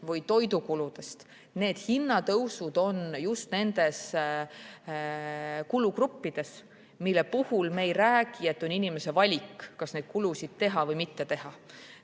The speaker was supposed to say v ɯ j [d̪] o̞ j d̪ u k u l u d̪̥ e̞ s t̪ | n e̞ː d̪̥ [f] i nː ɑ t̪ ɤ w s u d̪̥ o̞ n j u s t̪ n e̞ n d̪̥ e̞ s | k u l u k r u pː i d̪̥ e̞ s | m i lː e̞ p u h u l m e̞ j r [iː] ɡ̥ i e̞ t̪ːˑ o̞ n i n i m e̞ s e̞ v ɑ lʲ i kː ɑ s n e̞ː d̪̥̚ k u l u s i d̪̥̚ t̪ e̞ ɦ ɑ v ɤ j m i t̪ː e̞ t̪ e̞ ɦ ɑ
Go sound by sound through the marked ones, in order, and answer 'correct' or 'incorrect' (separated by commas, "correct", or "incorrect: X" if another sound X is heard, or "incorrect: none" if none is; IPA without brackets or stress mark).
incorrect: t̪, incorrect: h, incorrect: æː